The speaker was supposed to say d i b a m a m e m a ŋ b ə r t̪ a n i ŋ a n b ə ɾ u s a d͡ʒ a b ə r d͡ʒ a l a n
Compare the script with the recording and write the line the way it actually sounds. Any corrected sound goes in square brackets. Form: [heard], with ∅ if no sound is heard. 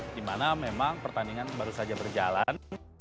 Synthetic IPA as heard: d i [m] a [n] a m e m a ŋ [p] ə r t̪ a n i ŋ a n b [a] ɾ u s a d͡ʒ a b ə r d͡ʒ a l a n